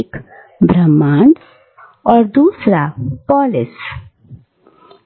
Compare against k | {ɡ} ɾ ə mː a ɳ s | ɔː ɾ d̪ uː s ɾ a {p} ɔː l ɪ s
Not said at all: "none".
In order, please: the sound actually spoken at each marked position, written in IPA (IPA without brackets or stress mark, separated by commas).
b, p